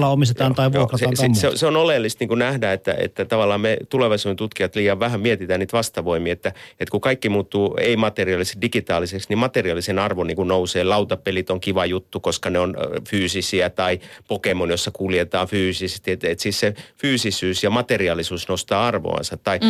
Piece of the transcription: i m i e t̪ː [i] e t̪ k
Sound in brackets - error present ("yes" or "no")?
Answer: yes